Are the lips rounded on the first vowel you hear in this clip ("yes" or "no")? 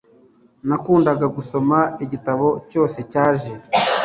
no